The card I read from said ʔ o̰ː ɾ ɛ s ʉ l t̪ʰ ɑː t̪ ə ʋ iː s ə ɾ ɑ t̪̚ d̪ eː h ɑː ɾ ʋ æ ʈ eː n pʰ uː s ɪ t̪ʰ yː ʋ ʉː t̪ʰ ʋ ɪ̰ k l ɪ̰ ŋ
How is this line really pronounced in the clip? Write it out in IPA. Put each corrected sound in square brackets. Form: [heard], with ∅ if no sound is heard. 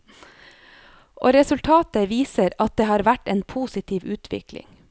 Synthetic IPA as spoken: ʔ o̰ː ɾ ɛ s ʉ l t̪ʰ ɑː t̪ ə ʋ iː s ə ɾ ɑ t̪̚ d̪ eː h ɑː ɾ ʋ æ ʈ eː n pʰ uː s ɪ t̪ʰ [iː] ʋ ʉː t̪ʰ ʋ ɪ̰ k l ɪ̰ ŋ